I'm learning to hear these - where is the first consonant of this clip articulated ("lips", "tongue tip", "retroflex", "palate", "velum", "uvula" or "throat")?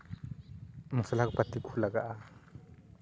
lips